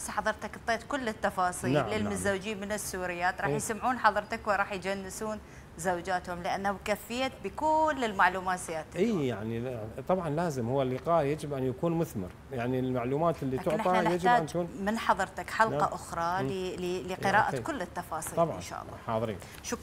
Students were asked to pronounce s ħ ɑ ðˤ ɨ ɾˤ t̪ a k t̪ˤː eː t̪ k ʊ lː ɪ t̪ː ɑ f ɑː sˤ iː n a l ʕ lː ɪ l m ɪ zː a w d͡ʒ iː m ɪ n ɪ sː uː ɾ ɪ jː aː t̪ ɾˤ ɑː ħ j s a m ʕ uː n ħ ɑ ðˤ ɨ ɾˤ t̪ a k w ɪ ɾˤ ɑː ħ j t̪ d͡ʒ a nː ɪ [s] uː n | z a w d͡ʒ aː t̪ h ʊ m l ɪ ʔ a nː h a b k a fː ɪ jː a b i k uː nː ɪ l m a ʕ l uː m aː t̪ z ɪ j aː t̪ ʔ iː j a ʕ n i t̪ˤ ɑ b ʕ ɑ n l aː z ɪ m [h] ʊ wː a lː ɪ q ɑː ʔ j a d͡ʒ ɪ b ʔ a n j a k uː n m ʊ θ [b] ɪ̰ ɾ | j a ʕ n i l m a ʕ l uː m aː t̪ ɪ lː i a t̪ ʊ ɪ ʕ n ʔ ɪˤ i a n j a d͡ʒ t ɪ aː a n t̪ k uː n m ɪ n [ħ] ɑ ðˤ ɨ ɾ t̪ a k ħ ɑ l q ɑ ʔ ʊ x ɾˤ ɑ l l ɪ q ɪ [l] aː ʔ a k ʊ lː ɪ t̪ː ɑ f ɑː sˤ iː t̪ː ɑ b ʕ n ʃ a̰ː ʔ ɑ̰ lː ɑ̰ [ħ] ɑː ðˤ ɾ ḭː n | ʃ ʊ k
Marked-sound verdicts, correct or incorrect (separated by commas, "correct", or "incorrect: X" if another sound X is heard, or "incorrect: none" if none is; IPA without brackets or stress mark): correct, correct, incorrect: m, correct, incorrect: ɾ, correct